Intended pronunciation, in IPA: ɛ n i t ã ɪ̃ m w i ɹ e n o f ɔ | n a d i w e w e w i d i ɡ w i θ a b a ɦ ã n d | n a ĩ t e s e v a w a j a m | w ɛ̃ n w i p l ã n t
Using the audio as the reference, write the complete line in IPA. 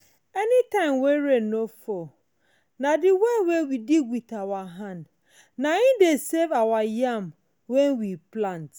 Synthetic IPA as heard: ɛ n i t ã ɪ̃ m w e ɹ e n o f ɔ | n a d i w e w e w i d i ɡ w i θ a w a ɦ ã n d | n a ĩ d e s e v a w a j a m | w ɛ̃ n w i p l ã n t